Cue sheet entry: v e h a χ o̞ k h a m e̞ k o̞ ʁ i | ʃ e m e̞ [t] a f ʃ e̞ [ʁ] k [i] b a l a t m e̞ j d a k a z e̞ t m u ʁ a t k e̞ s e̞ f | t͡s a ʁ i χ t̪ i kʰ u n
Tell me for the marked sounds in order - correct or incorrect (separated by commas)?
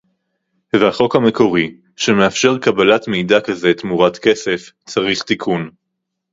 incorrect, correct, incorrect